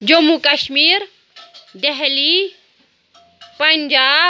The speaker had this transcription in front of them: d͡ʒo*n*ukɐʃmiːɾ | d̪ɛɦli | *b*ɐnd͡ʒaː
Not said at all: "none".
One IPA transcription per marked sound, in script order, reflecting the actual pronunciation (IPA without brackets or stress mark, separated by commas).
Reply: m, p